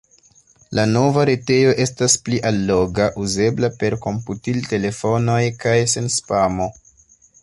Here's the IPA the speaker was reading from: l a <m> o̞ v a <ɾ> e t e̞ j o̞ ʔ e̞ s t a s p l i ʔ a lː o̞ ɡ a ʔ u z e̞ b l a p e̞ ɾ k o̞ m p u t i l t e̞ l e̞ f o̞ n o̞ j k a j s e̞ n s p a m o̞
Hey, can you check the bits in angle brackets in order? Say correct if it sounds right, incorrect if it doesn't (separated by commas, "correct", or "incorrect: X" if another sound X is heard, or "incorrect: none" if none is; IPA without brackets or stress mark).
incorrect: n, correct